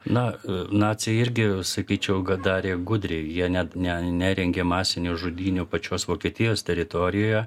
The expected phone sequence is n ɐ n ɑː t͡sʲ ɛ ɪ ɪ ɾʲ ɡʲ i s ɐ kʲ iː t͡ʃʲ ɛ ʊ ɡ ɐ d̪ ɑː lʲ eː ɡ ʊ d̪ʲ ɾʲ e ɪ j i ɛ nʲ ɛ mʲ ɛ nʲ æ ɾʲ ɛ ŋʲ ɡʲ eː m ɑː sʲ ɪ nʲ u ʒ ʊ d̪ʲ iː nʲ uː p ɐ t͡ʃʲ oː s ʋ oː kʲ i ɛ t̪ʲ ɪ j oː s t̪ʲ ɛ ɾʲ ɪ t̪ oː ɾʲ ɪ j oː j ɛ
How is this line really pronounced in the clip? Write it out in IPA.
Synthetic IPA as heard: n ɐ n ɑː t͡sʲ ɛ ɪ ɪ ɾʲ ɡʲ ɪ s ɐ kʲ iː t͡ʃʲ ɛ ʊ ɡ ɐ d̪ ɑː ɾʲ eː ɡ ʊ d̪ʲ ɾʲ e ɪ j i ɛ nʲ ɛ nʲ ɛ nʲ æ ɾʲ ɛ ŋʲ ɡʲ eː m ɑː sʲ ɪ nʲ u ʒ ʊ d̪ʲ iː nʲ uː p ɐ t͡ʃʲ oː s ʋ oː kʲ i ɛ t̪ʲ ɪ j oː s t̪ʲ ɛ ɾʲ ɪ t̪ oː ɾʲ ɪ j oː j ɛ